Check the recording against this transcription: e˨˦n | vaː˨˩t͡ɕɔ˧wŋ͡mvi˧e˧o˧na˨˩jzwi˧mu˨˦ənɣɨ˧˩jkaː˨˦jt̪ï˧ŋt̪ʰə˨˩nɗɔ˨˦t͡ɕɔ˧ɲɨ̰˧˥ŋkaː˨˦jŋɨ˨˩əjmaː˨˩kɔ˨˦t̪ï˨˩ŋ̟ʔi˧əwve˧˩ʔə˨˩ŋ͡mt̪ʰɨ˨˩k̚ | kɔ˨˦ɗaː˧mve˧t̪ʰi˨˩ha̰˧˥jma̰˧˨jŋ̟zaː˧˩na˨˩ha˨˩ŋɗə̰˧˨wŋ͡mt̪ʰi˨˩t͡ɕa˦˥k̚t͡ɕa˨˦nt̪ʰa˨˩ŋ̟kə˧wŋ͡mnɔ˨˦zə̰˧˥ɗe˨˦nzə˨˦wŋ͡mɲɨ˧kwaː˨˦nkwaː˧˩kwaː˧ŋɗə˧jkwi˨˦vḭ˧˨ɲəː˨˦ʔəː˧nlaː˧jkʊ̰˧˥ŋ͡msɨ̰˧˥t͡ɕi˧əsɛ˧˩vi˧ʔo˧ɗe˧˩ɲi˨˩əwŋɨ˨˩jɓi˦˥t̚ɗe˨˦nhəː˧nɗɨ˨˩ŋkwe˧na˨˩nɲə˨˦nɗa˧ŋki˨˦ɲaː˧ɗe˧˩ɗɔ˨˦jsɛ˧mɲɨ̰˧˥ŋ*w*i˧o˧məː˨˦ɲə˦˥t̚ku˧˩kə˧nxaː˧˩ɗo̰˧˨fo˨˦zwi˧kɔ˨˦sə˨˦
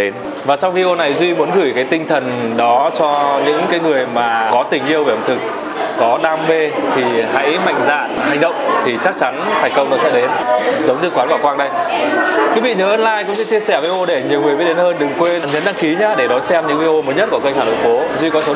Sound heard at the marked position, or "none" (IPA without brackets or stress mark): v